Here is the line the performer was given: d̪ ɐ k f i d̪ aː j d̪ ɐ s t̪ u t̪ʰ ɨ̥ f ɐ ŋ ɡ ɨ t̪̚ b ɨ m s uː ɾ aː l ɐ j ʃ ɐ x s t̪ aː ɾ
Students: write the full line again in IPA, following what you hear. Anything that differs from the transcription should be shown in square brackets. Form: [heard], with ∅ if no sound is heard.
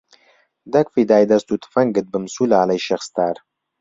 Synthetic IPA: d̪ ɐ k f i d̪ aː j d̪ ɐ s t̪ u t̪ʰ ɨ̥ f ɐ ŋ ɡ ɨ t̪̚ b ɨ m s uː [l] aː l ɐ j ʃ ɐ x s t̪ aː ɾ